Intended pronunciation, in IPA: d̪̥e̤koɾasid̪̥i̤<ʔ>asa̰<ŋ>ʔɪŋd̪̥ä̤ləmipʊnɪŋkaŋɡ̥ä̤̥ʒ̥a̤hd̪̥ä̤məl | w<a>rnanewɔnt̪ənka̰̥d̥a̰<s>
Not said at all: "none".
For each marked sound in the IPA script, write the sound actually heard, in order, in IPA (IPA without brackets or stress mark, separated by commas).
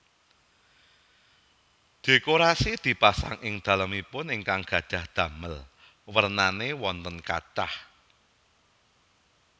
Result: p, ŋ, ə, h